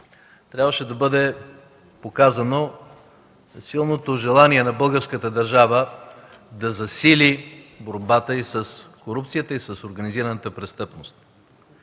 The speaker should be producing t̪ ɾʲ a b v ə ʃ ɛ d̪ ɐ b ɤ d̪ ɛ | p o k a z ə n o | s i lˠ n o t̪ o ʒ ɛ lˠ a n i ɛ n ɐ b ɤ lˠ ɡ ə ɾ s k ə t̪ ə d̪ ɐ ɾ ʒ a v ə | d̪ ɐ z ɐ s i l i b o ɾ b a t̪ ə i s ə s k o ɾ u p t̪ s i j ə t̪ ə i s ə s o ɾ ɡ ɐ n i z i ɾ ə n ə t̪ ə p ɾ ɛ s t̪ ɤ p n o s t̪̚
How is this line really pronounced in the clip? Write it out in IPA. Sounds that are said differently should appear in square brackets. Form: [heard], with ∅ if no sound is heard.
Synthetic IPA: t̪ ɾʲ a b v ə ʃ ɛ d̪ ɐ b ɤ d̪ ɛ | p o k a z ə n o | s i lˠ n o t̪ o ʒ ɛ lˠ a n i ɛ n ɐ b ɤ lˠ ɡ ə ɾ s k ə t̪ ə d̪ ɐ ɾ ʒ a v ə | d̪ ɐ z ɐ s i l i b o ɾ b a t̪ ə i s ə s k o ɾ u p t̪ s i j ə t̪ ə i s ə s o ɾ ɡ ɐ n i z i ɾ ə n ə t̪ ə p ɾ ɛ s t̪ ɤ p n o s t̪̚